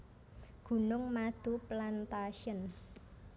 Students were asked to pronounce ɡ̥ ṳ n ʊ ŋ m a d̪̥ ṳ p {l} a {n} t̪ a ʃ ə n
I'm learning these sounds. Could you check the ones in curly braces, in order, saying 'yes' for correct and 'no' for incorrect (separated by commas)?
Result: yes, yes